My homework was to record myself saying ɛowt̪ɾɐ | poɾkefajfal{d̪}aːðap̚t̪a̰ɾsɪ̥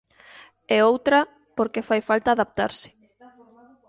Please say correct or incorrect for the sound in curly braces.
incorrect